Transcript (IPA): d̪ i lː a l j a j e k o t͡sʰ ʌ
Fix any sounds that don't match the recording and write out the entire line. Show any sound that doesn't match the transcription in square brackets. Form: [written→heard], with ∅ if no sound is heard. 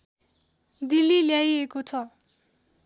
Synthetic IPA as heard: d̪ i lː [a→i] l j a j e k o t͡sʰ ʌ